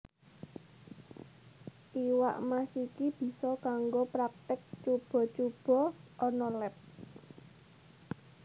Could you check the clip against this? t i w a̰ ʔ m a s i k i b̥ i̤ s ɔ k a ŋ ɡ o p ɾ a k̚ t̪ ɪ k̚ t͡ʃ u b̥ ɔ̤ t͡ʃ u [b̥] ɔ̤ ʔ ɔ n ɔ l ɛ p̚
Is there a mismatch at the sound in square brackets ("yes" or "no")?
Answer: no